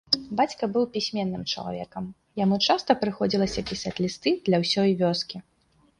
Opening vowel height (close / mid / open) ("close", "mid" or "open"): open